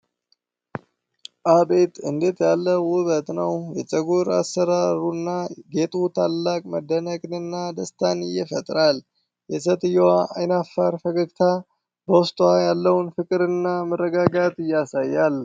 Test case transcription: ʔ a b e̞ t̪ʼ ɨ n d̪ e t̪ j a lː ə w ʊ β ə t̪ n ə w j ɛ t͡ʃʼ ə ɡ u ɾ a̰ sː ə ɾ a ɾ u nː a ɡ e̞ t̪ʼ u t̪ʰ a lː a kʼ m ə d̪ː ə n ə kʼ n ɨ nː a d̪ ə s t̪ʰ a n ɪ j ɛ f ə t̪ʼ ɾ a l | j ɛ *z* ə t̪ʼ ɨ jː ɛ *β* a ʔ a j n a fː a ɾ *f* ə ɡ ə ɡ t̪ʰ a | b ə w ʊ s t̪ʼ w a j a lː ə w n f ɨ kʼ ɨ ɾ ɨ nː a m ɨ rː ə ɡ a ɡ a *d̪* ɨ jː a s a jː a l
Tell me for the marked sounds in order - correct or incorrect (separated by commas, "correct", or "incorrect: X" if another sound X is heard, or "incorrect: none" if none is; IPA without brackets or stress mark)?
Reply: incorrect: s, incorrect: w, correct, incorrect: t̪